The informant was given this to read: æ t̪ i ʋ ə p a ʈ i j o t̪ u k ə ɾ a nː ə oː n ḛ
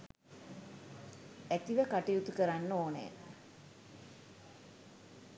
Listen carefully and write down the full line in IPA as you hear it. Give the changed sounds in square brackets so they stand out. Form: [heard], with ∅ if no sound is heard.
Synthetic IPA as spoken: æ t̪ i ʋ ə [k] a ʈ i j [u] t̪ u k ə ɾ a nː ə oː n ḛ